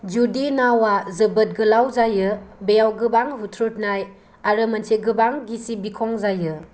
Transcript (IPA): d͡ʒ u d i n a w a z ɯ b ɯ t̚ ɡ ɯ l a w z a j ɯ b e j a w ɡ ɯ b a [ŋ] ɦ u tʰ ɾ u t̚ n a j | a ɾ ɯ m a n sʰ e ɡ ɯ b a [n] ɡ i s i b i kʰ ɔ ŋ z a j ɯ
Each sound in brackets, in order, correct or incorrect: correct, incorrect: ŋ

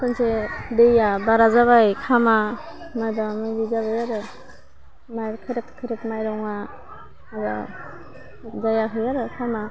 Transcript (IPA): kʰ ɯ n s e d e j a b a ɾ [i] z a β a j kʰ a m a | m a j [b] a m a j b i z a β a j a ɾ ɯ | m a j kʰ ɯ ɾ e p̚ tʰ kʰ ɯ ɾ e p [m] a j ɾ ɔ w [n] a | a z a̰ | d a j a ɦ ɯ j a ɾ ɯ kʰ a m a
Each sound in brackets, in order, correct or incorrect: incorrect: a, correct, correct, incorrect: ŋ

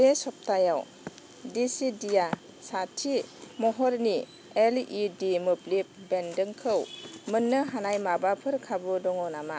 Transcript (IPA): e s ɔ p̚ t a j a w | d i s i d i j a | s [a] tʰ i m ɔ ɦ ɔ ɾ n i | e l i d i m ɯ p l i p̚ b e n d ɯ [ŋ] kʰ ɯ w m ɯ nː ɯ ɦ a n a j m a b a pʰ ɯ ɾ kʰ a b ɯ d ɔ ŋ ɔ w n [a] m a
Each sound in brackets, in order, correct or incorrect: correct, correct, correct

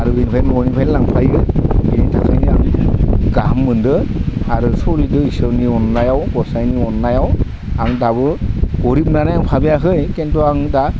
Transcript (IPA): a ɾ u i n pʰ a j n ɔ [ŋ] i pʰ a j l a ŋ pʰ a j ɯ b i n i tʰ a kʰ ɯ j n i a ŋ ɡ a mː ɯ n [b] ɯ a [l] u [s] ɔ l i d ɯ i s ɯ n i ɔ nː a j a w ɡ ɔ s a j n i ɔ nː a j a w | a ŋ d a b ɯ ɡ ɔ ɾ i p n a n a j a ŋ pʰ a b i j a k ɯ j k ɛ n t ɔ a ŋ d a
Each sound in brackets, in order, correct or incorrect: incorrect: n, incorrect: d, incorrect: ɾ, correct

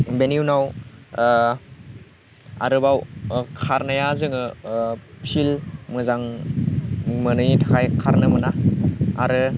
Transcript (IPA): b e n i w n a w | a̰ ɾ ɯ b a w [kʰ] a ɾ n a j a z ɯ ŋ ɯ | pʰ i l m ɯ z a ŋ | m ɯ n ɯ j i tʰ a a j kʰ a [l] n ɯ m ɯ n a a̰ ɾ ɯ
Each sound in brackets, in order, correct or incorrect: correct, incorrect: ɾ

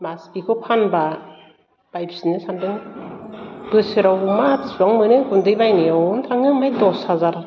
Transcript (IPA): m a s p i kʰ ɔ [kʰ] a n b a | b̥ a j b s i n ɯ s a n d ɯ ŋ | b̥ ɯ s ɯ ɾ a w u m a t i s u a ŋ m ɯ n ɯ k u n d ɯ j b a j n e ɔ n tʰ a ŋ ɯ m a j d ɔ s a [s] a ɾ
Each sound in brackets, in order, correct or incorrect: incorrect: pʰ, incorrect: z

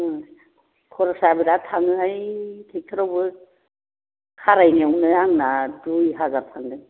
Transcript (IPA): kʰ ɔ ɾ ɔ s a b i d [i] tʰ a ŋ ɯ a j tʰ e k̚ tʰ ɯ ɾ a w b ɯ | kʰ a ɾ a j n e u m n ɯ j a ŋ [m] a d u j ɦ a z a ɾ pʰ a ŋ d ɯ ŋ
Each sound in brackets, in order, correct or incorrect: incorrect: a, incorrect: n

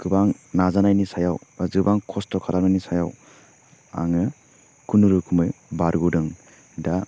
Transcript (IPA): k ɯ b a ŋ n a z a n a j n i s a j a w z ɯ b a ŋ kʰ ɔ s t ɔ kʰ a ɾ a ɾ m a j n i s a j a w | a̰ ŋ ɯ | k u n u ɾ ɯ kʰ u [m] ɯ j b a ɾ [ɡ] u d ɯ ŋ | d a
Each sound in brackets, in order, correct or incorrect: correct, correct

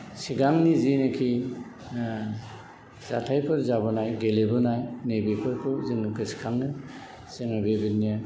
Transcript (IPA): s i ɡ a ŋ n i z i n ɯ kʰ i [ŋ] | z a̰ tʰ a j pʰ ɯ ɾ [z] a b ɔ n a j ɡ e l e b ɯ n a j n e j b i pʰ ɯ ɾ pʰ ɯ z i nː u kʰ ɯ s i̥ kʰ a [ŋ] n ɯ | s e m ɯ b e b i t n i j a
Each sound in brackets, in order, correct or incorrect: incorrect: none, correct, correct

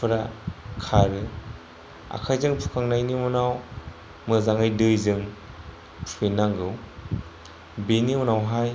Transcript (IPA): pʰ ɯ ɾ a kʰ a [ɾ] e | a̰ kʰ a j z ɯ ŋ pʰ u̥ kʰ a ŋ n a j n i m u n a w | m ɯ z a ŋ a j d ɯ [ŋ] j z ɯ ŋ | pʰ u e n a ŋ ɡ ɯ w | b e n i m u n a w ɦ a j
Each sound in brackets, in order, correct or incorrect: correct, incorrect: none

